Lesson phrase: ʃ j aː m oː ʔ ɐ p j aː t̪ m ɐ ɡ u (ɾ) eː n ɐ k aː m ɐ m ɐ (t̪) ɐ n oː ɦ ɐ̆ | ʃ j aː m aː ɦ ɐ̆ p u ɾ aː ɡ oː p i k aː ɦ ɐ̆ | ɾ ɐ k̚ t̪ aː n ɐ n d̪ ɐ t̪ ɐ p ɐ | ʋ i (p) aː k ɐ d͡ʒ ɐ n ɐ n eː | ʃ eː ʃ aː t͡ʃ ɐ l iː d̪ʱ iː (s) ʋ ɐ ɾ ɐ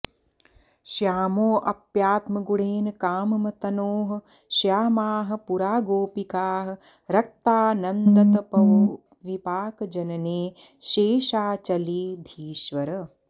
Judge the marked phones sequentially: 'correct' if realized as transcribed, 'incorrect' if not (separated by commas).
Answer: incorrect, correct, correct, incorrect